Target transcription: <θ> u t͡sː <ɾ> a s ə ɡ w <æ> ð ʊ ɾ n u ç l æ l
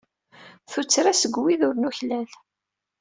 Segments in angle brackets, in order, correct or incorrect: correct, correct, incorrect

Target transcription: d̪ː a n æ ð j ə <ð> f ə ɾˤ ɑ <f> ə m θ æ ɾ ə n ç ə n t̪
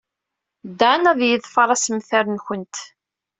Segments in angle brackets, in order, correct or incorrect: correct, incorrect

